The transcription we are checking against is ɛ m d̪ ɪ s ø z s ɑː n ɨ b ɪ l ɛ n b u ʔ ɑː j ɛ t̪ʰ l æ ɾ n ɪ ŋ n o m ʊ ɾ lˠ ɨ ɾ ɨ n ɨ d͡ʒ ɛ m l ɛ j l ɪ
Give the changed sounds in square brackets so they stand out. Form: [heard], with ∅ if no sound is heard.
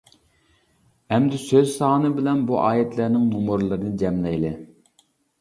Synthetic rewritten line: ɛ m d̪ ɪ s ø z s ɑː n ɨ b ɪ l ɛ n b u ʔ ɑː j ɛ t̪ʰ l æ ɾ n ɪ ŋ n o m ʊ ɾ lˠ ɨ ɾ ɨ n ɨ d͡ʒ ɛ m l ɛ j l ɪ